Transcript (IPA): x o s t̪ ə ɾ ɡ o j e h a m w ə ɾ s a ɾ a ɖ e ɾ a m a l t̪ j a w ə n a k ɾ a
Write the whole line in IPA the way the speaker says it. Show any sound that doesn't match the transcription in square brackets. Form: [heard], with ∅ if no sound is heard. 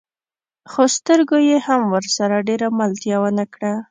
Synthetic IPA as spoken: x o s t̪ ə ɾ ɡ o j e h a m w ə ɾ s a ɾ a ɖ e ɾ a m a l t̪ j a w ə n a k [ɽ] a